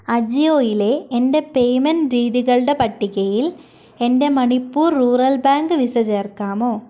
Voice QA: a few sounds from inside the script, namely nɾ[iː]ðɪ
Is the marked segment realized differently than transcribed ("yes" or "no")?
no